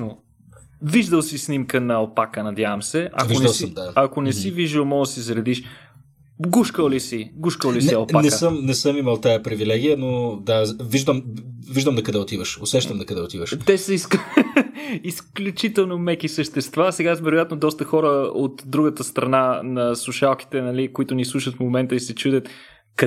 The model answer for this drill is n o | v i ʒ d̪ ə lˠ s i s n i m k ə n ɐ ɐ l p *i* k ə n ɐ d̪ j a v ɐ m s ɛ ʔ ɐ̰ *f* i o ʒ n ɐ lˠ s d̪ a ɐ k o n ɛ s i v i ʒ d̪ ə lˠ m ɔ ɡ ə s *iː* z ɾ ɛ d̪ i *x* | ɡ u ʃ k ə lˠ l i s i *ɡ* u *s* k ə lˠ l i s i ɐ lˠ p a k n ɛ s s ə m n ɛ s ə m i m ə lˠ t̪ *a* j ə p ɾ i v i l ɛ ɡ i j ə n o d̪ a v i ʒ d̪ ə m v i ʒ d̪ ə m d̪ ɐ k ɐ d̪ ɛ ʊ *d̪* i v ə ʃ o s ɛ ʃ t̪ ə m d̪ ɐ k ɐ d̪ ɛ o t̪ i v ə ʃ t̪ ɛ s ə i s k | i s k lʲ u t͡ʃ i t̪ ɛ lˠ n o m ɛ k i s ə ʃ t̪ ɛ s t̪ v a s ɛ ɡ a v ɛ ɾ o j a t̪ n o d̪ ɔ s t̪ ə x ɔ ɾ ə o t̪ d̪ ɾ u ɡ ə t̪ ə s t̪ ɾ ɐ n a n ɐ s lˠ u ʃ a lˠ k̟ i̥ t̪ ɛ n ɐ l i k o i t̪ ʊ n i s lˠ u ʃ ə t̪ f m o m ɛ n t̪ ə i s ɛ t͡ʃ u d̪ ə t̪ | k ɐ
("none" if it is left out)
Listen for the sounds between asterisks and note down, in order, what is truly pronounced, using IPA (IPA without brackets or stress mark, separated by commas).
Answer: a, v, i, ʃ, ɡ, ʃ, a, t̪